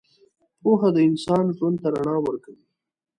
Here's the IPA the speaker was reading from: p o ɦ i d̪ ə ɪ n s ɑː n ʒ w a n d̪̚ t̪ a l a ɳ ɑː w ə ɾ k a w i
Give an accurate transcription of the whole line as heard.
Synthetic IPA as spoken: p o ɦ a d̪ ə ɪ n s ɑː n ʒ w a n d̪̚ t̪ a ɾ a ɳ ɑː w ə ɾ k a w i